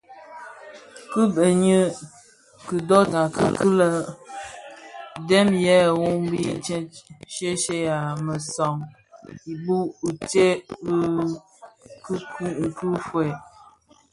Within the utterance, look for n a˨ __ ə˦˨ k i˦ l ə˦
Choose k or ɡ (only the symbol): k